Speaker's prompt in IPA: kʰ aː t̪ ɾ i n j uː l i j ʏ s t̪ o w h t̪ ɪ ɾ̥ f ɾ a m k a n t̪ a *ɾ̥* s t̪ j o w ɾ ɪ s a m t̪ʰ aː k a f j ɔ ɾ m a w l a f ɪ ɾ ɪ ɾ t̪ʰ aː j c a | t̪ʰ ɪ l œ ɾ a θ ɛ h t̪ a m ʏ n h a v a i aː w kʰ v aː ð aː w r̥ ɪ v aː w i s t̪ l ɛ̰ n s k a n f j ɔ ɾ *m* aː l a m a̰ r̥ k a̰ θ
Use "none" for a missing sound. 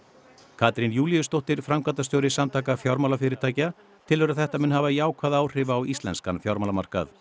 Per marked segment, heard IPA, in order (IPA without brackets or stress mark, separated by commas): none, m